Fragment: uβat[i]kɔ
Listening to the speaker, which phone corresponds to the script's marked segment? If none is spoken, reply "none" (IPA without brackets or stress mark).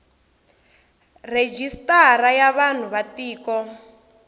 iː